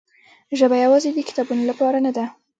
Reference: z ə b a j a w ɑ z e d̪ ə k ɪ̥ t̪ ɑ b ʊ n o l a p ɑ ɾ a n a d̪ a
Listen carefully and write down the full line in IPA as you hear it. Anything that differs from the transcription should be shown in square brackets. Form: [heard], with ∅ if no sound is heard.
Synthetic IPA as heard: [ʒ] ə b a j a w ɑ z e d̪ ə k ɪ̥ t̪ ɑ b [u] n o l a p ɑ ɾ a n a d̪ a